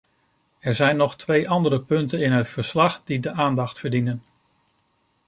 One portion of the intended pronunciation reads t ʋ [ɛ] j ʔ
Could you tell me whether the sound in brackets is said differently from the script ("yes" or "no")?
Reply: yes